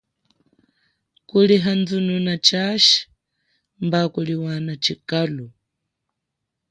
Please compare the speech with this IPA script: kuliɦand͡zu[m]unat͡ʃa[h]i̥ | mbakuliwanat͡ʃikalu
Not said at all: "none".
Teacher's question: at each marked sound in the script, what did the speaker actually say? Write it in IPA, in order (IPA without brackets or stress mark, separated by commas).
n, ʃ